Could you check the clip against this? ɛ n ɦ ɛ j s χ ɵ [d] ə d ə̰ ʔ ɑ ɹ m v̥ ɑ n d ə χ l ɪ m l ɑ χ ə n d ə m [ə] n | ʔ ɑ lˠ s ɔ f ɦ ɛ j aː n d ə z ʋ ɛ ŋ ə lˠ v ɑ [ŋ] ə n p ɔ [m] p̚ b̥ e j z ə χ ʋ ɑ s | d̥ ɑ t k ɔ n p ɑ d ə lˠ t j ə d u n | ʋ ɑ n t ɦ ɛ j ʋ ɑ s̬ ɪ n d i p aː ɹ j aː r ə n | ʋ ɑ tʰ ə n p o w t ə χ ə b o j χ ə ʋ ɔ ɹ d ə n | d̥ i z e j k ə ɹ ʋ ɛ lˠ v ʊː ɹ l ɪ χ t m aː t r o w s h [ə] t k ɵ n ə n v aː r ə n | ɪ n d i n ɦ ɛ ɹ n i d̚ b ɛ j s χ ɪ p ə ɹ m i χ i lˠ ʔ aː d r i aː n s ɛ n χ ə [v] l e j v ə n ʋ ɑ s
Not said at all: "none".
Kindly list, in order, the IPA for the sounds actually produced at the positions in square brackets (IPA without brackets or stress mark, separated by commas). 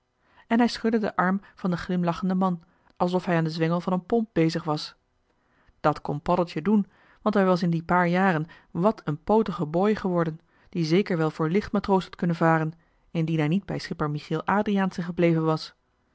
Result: d, ɑ, n, m, ɑ, b